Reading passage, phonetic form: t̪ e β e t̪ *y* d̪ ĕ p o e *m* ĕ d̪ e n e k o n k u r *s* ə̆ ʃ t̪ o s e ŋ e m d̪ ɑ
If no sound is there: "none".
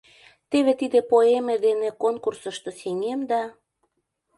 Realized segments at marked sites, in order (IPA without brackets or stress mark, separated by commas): i, m, s